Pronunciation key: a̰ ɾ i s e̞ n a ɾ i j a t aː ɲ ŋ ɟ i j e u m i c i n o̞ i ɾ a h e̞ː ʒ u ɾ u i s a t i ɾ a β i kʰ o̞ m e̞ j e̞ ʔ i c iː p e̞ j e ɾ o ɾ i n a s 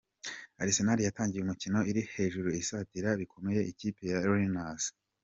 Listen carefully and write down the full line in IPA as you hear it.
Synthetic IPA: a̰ ɾ i s e̞ n a ɾ i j a t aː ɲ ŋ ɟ i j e u m i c i n o̞ i ɾ i h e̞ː ʒ u ɾ u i s a t i ɾ a β i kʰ o̞ m e̞ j e̞ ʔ i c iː p e̞ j a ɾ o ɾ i n a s